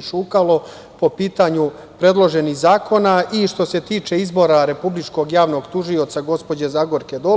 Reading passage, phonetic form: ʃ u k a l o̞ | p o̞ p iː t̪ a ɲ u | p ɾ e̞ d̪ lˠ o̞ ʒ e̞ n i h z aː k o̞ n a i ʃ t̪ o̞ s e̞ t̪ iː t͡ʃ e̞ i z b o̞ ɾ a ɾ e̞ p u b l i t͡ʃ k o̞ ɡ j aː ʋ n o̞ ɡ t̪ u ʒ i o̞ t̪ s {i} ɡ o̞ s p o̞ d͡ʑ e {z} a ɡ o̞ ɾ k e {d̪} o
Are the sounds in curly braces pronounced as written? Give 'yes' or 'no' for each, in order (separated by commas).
no, yes, yes